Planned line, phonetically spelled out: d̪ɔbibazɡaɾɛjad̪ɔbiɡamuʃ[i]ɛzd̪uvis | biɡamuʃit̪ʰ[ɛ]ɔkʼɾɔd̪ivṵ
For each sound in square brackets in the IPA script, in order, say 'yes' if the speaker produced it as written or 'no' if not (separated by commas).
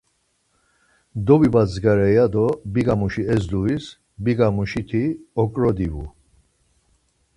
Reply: yes, no